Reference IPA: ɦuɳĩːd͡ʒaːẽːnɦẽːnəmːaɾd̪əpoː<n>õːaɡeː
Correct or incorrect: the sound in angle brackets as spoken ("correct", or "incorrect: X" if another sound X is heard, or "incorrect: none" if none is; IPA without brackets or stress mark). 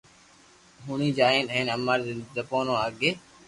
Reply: correct